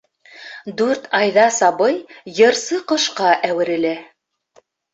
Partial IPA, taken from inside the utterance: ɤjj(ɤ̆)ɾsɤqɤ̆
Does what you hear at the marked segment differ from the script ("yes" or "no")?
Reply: no